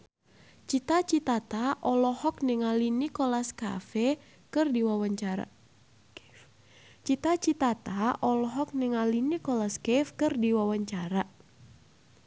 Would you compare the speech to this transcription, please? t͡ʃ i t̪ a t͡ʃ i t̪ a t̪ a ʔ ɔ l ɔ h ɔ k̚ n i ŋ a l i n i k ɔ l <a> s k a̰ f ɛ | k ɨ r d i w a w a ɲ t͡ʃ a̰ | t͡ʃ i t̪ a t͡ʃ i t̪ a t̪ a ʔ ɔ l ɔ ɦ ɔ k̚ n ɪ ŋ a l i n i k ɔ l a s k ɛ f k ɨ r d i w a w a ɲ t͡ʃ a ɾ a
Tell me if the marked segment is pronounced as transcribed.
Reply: yes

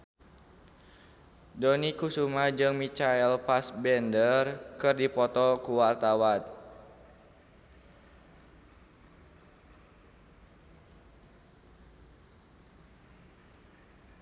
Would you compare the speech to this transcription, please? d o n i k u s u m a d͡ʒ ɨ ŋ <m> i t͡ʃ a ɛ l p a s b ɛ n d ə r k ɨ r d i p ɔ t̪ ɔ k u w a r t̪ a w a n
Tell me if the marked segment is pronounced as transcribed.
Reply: yes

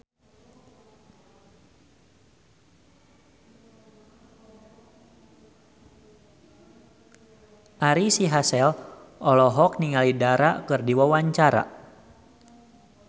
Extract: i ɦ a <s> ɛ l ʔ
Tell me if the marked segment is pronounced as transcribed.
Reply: yes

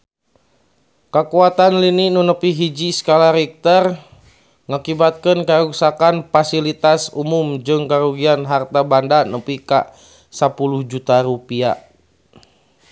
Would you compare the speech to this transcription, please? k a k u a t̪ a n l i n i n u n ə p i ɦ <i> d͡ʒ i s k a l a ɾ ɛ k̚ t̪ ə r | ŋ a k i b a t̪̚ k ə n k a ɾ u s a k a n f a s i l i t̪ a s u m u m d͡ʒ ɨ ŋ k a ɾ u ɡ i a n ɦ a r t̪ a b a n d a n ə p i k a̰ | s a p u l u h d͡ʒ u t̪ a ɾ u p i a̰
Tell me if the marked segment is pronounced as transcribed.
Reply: yes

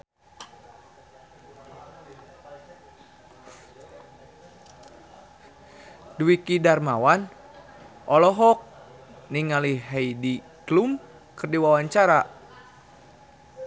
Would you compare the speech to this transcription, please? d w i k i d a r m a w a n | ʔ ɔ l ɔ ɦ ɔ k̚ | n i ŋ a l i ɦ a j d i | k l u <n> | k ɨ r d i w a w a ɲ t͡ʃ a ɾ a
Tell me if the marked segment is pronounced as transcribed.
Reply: no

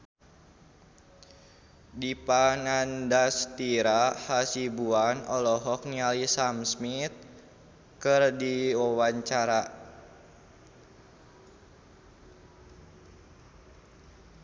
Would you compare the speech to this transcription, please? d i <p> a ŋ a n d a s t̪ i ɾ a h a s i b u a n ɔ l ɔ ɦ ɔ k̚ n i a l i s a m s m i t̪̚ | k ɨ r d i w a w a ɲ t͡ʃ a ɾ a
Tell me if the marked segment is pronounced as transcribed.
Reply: yes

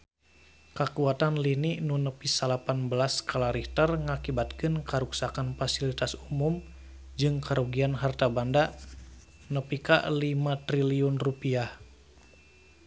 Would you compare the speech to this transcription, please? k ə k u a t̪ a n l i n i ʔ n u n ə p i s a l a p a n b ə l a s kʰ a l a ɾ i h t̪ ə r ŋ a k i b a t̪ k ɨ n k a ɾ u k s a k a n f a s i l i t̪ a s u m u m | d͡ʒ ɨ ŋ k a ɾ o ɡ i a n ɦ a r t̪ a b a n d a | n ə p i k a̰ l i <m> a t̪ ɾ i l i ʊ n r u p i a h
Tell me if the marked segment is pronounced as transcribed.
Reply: yes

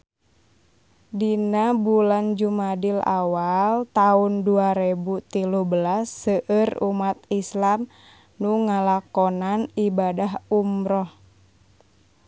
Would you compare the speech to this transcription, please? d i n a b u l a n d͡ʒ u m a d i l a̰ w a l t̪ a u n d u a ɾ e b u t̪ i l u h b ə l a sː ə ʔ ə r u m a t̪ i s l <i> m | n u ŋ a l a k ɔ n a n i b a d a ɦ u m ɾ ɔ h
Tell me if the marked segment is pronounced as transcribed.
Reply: no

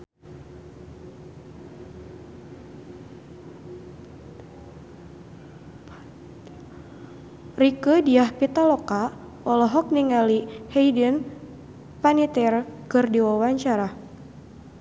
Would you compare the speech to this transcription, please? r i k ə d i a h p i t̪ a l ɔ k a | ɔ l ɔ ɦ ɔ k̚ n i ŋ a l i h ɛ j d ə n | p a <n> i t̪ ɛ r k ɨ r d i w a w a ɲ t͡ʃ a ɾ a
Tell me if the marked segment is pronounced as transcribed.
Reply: yes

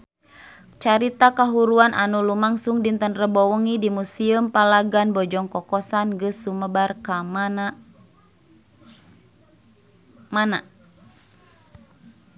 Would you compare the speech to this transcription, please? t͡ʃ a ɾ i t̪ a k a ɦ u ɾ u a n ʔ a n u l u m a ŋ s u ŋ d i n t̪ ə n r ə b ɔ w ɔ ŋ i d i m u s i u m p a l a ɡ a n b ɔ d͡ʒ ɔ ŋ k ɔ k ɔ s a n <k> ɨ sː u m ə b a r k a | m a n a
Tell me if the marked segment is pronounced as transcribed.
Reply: no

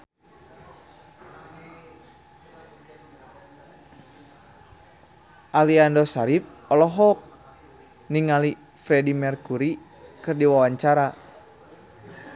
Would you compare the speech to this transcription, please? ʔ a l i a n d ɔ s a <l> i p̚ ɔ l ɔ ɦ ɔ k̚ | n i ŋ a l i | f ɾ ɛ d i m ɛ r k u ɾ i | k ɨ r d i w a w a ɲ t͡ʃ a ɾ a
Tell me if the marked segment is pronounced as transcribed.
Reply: no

